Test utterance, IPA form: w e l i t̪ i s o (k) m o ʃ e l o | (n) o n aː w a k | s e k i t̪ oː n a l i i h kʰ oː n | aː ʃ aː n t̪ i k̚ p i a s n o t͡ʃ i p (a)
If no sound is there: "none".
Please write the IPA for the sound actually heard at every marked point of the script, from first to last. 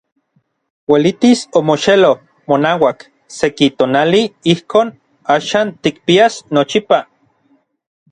none, m, a

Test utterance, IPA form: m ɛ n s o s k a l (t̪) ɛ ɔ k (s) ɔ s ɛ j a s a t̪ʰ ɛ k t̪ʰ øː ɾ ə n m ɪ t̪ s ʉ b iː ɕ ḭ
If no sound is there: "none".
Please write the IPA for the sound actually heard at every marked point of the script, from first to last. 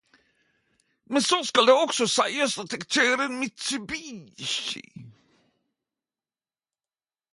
d̪, s

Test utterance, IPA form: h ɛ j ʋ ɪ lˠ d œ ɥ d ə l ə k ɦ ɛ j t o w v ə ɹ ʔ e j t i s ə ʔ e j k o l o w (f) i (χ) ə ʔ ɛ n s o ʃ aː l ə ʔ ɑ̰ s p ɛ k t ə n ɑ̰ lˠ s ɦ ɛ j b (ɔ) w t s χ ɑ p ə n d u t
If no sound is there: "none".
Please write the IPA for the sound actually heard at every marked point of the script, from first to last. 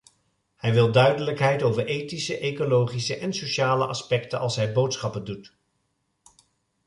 χ, s, o

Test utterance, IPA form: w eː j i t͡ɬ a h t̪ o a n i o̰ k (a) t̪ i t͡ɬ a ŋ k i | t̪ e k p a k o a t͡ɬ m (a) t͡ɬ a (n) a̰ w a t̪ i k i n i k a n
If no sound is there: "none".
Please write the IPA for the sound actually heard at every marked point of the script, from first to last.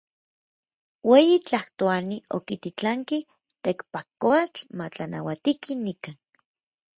i, a, n

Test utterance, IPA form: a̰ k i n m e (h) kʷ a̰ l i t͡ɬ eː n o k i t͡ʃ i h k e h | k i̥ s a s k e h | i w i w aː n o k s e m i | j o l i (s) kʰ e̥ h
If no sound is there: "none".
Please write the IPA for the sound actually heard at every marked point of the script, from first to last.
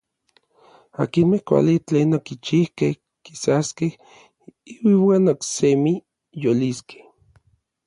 h, s

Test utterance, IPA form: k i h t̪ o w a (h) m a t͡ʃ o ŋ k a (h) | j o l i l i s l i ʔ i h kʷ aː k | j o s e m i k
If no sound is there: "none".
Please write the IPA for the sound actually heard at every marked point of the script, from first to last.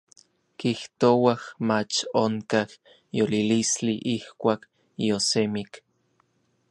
h, h

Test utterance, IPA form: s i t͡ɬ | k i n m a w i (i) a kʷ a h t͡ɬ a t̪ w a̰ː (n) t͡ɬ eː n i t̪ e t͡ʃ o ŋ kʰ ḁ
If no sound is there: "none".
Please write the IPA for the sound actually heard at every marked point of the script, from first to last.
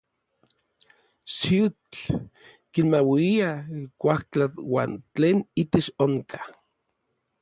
i, n

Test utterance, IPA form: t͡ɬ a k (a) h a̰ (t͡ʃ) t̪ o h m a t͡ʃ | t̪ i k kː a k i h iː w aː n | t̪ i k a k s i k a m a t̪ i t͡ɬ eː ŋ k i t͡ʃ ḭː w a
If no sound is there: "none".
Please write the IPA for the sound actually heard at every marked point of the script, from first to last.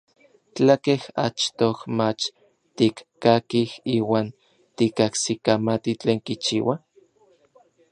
e, t͡ʃ

